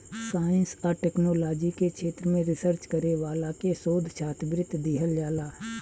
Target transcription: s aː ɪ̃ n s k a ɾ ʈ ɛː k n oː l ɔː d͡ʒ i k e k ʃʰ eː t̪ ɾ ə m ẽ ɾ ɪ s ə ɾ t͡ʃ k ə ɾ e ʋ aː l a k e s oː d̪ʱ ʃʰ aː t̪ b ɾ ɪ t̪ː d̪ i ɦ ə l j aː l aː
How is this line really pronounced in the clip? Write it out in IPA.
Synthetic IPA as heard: s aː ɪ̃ n s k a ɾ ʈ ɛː k n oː l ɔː d͡ʒ i k e k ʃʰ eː t̪ ɾ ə m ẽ ɾ ɪ s ə ɾ t͡ʃ k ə ɾ e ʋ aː l a k e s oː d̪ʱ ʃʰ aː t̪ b ɾ ɪ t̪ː d̪ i ɦ ə l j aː l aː